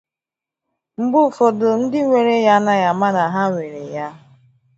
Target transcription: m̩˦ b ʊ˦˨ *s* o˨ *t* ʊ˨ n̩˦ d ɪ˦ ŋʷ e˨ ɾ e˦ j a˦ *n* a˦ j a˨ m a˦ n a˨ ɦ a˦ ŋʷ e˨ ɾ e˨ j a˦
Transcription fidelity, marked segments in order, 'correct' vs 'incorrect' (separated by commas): incorrect, incorrect, correct